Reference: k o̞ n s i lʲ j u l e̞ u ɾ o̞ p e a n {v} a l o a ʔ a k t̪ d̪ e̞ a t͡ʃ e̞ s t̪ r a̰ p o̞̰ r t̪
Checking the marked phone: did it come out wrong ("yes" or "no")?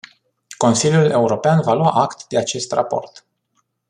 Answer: no